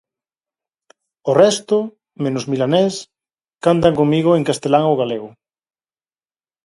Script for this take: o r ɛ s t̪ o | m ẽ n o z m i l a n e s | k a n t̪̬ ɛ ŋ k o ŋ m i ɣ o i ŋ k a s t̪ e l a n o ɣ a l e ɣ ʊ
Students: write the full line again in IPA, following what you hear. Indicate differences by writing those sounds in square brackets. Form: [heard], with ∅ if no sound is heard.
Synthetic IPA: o r ɛ s t̪ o | m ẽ n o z m i l a n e s | k a n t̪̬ [a] ŋ k o ŋ m i ɣ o [e] ŋ k a s t̪ e l a [ŋ] o ɣ a l e ɣ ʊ